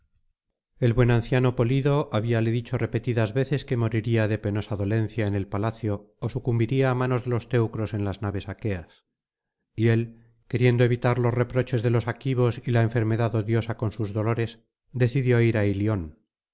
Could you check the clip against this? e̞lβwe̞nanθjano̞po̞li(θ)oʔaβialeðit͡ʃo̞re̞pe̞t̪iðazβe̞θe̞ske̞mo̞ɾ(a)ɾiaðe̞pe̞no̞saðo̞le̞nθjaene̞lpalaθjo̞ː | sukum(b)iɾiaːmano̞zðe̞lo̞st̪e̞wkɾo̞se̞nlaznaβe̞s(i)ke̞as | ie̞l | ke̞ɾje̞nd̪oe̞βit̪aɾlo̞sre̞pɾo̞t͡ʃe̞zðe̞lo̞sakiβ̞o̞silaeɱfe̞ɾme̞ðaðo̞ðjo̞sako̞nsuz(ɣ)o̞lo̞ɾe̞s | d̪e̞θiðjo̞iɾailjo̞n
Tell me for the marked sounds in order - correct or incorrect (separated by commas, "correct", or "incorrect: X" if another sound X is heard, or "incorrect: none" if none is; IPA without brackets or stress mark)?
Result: incorrect: ð, incorrect: i, correct, incorrect: a, incorrect: ð